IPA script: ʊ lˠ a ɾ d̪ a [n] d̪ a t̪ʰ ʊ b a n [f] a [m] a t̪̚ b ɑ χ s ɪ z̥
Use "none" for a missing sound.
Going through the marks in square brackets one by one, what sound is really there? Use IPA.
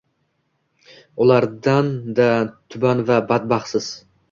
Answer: n, v, b

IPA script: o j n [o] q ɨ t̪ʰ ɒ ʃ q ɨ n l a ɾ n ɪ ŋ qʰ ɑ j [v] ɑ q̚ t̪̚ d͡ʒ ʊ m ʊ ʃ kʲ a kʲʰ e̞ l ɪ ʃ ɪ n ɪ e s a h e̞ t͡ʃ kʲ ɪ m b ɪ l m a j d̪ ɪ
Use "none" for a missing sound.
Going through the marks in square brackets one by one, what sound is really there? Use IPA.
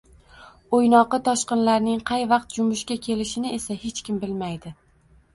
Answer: ɒ, v

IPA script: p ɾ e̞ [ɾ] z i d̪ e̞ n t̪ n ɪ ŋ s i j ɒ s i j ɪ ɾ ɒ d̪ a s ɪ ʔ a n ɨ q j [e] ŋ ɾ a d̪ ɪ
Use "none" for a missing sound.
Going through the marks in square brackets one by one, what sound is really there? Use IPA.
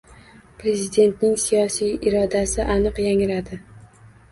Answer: none, a

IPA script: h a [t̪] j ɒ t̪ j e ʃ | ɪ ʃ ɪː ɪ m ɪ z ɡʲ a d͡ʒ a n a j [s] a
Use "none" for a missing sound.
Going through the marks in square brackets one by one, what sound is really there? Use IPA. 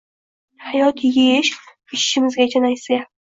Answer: none, s

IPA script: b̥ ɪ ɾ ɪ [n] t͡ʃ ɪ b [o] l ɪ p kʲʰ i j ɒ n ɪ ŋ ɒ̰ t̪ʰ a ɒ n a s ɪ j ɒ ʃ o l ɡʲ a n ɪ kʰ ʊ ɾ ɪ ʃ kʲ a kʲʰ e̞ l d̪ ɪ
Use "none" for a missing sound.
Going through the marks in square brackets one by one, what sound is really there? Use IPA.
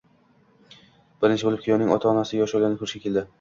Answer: n, o

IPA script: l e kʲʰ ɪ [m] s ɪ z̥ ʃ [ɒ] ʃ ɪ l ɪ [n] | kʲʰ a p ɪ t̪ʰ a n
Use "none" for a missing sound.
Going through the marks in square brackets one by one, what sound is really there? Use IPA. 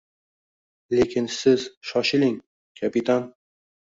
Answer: n, ɒ, ŋ

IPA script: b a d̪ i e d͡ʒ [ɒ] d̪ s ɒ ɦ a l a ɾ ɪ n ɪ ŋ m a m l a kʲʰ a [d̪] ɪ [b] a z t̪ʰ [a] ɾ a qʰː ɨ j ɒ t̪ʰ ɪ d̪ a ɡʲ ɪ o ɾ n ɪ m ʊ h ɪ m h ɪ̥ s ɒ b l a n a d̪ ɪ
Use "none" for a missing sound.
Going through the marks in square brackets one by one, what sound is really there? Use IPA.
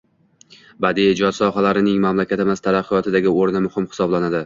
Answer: ɒ, t̪, m, a

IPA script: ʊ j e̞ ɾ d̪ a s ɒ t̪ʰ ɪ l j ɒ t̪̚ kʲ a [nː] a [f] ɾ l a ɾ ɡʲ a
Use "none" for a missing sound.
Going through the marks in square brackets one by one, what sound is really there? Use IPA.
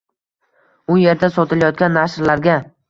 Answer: nː, ʃ

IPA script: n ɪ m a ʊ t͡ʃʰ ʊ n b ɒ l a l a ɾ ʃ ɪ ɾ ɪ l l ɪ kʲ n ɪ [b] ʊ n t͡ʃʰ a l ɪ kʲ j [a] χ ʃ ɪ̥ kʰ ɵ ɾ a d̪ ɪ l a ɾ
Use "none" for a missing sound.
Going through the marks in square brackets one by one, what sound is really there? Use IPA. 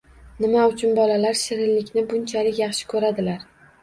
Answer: b, ɑ

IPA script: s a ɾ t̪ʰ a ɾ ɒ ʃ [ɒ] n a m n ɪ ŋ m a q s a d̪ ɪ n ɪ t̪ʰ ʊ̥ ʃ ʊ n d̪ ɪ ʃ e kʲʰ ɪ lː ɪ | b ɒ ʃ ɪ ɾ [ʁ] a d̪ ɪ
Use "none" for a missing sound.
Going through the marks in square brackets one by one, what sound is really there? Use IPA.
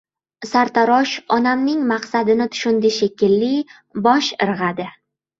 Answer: ɒ, ʁ

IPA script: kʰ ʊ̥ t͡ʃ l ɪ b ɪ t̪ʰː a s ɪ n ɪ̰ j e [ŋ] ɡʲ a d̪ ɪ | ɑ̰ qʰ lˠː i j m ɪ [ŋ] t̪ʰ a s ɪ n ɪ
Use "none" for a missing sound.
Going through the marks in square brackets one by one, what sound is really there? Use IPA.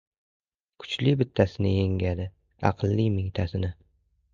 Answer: ŋ, ŋ

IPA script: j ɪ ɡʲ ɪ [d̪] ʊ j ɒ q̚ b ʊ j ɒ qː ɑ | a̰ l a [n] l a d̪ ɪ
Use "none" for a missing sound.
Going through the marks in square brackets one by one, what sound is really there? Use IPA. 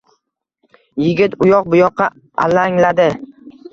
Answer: t̪, ŋ

